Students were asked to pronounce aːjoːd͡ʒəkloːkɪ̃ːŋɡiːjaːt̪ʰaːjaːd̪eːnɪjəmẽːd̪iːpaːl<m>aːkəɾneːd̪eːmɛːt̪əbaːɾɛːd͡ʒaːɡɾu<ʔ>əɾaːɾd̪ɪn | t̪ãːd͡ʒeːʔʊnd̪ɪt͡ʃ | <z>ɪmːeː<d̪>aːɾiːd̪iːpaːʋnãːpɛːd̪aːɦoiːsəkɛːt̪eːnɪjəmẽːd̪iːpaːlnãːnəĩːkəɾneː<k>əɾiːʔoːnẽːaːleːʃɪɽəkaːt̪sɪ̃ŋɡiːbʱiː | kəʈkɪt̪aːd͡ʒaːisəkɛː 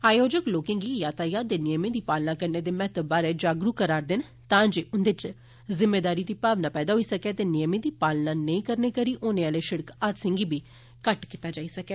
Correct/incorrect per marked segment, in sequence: incorrect: n, incorrect: k, correct, correct, correct

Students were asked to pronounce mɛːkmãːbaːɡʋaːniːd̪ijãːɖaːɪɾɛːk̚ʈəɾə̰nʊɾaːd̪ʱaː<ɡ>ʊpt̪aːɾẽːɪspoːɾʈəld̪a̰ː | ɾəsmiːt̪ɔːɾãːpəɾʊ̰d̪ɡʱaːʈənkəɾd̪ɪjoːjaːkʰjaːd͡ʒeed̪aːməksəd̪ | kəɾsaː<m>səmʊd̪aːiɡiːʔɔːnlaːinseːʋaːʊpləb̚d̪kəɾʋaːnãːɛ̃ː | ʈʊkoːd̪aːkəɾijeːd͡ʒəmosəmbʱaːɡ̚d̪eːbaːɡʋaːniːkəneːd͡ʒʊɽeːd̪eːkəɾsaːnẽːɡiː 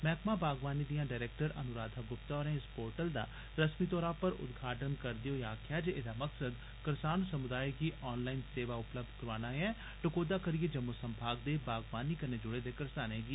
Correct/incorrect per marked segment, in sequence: correct, incorrect: n

